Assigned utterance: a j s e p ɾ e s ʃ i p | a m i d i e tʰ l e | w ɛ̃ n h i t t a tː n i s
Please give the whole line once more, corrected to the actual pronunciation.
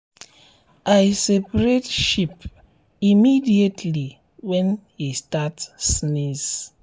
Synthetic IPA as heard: a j s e p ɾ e t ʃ i p | i m i d i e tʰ l i | w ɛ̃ n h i s t a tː n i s

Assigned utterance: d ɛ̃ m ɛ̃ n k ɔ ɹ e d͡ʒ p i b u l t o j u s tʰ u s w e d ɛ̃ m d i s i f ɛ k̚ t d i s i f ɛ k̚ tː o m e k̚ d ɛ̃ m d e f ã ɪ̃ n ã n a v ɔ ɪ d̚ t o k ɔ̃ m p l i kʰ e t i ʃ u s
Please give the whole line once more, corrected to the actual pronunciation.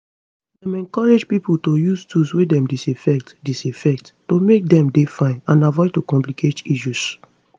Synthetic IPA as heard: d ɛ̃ m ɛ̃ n k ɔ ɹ e d͡ʒ p i p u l t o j u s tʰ u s w e d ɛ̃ m d i s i f ɛ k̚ t d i s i f ɛ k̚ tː o m e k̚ d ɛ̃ m d e f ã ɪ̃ n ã n a v ɔ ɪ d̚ t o k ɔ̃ m p l i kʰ e t i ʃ u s

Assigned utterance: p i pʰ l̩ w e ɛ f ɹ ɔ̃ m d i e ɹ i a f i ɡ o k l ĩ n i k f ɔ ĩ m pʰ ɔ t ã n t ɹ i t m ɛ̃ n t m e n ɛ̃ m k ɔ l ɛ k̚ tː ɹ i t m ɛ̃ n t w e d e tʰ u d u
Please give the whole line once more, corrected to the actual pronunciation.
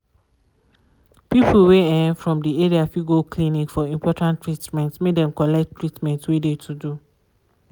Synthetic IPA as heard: p i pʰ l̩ w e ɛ f ɹ ɔ̃ m d i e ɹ i a f i ɡ o k l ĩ n i k f ɔ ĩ m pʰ ɔ t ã n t ɹ i t m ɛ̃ n t m e d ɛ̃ m k ɔ l ɛ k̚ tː ɹ i t m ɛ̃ n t w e d e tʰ u d u

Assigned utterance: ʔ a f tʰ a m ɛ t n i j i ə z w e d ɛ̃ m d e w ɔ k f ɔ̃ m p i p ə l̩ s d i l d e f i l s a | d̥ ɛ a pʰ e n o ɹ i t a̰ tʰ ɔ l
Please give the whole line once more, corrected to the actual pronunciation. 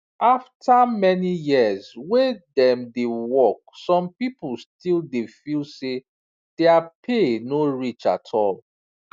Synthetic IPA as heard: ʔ a f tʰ a m ɛ n i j i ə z w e d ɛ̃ m d e w ɔ k s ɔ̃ m p i p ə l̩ s t i l d e f i l s e | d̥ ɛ a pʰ e n o ɹ i t͡ʃ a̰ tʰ ɔ l

